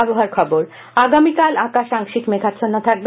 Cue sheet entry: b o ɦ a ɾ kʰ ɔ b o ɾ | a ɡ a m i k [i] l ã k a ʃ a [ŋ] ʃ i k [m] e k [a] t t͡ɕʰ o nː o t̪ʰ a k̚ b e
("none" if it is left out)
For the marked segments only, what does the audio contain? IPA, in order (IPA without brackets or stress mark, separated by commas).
a, ŋ, m, a